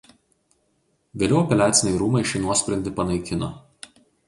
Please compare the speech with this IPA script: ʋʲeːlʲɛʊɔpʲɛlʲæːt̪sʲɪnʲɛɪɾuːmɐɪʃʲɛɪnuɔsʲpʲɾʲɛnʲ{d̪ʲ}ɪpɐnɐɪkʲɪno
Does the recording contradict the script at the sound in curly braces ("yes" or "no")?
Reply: no